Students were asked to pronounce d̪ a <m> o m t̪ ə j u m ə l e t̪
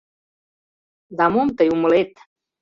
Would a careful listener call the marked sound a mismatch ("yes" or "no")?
no